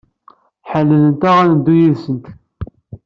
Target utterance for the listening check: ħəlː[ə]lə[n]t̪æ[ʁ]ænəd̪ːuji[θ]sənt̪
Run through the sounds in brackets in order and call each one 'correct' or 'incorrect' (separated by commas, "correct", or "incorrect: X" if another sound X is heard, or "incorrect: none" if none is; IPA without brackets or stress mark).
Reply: correct, correct, correct, incorrect: ð